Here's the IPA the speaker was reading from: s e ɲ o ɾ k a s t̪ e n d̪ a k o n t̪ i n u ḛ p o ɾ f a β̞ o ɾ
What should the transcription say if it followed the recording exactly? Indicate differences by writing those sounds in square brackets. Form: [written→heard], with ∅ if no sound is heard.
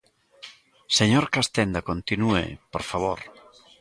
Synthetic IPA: s e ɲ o ɾ k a s t̪ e n d̪ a k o n t̪ i n u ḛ p o ɾ f a β̞ o ɾ

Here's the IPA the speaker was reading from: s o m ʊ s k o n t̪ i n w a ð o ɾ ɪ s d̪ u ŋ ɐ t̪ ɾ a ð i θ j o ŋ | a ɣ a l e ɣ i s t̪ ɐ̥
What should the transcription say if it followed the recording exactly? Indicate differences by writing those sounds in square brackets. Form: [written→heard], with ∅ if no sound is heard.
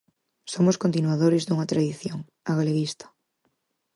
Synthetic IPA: s o m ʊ s k o n t̪ i n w a ð o ɾ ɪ [s→z] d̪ u ŋ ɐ t̪ ɾ a ð i θ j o ŋ | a ɣ a l e ɣ i s t̪ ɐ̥

